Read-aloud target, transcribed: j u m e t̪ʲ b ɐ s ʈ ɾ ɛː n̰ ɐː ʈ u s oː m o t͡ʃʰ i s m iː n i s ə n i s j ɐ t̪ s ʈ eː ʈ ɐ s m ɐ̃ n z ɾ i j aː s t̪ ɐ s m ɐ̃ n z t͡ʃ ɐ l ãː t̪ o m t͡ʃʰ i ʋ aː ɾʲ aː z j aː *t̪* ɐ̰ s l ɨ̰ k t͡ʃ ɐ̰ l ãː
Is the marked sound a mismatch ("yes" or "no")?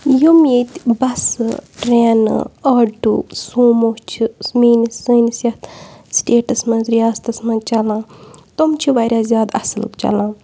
yes